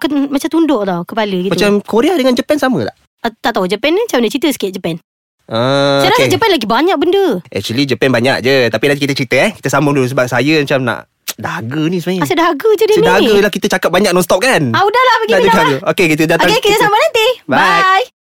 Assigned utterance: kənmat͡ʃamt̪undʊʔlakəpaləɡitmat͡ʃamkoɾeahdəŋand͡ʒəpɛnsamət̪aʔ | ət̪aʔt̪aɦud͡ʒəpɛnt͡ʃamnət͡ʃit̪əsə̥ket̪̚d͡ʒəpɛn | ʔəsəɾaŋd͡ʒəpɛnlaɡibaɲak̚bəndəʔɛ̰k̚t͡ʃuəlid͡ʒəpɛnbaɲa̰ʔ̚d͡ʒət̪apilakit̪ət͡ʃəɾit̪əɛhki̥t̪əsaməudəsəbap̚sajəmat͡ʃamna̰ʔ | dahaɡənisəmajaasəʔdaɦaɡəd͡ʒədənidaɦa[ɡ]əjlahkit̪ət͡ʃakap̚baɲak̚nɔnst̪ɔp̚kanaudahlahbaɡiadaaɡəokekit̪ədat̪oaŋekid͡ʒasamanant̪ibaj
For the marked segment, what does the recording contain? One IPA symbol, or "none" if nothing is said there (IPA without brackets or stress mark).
ɡ